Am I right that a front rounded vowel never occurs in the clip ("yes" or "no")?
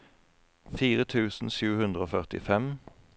no